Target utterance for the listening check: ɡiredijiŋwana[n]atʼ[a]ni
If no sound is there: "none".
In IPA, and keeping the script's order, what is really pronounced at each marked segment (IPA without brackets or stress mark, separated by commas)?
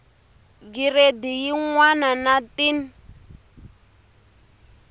n, i